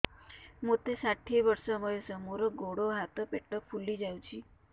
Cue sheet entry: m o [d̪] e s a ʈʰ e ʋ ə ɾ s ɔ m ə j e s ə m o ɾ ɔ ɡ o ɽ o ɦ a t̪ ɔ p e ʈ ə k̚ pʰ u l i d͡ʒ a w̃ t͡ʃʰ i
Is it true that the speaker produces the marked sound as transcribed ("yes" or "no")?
no